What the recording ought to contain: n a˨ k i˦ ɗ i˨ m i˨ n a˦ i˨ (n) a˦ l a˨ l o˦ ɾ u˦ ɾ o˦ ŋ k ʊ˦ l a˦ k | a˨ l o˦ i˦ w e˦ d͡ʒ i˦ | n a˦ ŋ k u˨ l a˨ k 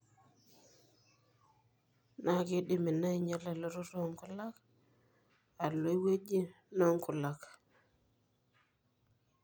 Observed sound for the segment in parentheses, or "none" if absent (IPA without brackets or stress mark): ɲ